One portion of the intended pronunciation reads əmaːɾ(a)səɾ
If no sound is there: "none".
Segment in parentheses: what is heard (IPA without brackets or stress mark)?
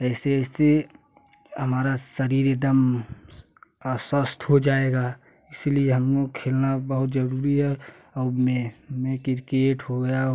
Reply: a